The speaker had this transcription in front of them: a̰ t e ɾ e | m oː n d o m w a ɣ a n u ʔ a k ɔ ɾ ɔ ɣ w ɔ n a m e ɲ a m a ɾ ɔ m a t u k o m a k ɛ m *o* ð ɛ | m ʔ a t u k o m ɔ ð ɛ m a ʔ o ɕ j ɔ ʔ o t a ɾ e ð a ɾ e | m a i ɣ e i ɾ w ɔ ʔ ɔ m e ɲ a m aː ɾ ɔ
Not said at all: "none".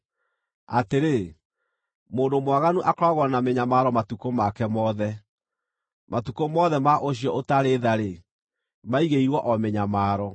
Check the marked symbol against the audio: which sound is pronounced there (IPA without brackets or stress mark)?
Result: ɔ